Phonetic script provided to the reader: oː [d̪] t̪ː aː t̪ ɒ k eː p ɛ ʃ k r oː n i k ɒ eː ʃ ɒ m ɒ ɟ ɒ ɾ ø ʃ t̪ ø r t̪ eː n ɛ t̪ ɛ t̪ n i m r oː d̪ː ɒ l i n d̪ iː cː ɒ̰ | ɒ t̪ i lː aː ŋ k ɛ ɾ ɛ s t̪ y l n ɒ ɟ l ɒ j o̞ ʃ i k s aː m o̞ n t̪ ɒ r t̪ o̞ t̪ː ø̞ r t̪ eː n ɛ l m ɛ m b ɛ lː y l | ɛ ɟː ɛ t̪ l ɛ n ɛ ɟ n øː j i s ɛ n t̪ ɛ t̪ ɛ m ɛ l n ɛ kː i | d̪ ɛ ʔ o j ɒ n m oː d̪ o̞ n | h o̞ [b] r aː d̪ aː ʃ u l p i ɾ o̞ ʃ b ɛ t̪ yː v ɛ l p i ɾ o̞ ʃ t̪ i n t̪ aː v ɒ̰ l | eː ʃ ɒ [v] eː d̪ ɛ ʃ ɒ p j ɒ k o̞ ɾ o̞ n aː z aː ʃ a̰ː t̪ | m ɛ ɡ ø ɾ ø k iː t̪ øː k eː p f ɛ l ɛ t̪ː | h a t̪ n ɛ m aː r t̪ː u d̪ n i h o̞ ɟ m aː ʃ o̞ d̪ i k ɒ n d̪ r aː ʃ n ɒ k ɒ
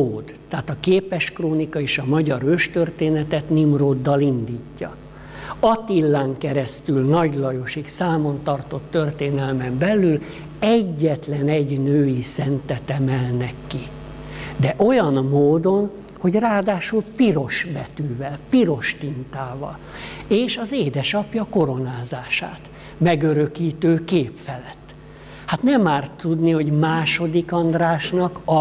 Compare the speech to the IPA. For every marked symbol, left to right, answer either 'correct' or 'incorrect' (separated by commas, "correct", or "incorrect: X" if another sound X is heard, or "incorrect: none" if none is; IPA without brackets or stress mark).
correct, incorrect: ɟ, incorrect: z